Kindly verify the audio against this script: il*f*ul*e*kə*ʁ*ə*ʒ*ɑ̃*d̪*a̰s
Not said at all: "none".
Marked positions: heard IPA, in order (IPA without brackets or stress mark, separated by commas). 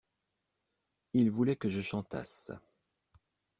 v, ɛ, ʒ, ʃ, t̪